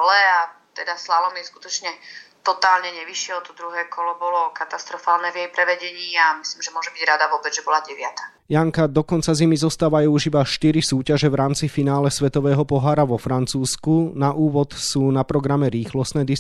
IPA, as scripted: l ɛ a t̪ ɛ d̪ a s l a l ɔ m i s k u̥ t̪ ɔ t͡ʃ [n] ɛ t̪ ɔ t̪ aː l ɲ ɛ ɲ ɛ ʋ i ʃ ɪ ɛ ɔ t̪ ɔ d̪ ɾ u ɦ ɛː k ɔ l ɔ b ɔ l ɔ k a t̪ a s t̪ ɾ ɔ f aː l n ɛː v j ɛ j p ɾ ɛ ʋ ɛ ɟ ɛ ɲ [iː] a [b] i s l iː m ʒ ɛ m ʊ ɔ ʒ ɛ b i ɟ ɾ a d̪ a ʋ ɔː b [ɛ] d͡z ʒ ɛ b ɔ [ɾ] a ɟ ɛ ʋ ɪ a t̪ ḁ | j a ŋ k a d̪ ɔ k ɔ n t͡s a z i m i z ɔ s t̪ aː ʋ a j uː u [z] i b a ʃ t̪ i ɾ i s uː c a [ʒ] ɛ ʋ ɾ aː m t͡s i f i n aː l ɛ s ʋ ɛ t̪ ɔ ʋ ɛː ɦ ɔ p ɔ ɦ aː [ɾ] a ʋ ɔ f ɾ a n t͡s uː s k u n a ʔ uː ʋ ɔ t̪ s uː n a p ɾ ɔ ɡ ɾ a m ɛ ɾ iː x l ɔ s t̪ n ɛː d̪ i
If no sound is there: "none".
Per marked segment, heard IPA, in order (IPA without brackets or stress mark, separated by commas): ɲ, iː, m, ɛ, l, ʒ, ʒ, ɾ